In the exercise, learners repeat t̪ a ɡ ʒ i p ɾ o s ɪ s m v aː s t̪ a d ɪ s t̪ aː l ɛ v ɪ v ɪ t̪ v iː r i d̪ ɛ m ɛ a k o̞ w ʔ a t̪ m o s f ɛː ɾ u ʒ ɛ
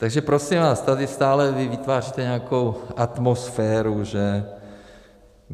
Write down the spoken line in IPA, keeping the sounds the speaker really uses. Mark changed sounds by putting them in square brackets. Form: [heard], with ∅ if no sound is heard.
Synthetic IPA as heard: t̪ a ɡ ʒ [ɛ] p ɾ o s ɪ [∅] m v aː s t̪ a d ɪ s t̪ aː l ɛ v ɪ v ɪ t̪ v [aː] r i [t̪] ɛ [ɲ] ɛ a k o̞ w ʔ a t̪ m o s f ɛː ɾ u ʒ ɛ